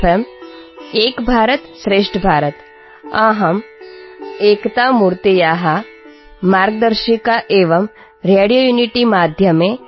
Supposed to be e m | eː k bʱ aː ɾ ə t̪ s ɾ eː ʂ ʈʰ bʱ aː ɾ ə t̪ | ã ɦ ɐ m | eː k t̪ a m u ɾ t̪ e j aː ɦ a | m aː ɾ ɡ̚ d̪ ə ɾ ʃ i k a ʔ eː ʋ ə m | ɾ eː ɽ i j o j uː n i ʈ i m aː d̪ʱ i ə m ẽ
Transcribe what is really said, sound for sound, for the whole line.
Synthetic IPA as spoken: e m | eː k bʱ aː ɾ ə t̪ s ɾ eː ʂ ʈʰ bʱ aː ɾ ə t̪ | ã ɦ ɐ m | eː k t̪ a m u ɾ t̪ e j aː ɦ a | m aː ɾ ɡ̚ d̪ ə ɾ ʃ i k a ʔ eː ʋ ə m | ɾ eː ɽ i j o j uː n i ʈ i m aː d̪ʱ j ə m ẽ